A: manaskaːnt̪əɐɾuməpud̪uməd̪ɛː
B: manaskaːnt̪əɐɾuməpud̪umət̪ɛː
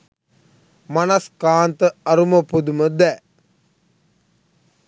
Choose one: A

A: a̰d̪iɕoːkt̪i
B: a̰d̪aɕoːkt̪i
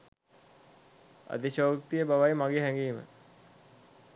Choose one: A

